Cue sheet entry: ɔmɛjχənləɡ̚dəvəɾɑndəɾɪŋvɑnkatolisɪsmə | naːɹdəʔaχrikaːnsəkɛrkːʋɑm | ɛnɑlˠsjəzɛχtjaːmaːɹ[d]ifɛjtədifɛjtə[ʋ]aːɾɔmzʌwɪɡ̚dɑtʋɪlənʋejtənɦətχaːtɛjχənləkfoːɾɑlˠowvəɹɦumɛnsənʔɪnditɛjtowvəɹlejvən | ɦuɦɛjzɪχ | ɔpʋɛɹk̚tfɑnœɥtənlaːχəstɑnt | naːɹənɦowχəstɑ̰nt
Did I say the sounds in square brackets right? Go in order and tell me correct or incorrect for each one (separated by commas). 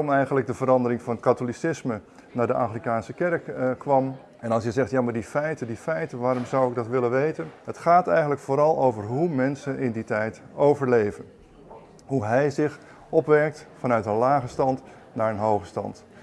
correct, correct